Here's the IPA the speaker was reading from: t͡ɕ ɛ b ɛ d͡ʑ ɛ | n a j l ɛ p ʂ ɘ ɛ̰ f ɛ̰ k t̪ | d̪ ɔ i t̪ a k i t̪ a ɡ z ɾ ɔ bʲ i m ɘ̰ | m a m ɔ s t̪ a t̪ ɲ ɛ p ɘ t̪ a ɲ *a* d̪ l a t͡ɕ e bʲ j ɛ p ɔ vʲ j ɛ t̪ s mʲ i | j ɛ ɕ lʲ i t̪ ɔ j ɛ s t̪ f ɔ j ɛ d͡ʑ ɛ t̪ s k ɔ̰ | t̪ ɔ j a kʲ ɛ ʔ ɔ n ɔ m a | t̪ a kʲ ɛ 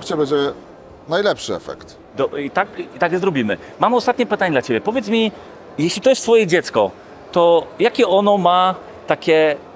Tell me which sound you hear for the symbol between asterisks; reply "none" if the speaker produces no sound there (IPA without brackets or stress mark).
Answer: ɛ